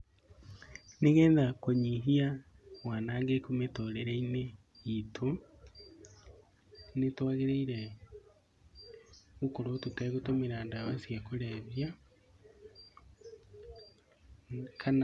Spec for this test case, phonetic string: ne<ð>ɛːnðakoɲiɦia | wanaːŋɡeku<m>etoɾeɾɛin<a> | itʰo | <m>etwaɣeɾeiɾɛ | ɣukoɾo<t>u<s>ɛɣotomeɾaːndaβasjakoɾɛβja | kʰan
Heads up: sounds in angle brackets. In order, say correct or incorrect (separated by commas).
incorrect, correct, incorrect, incorrect, correct, incorrect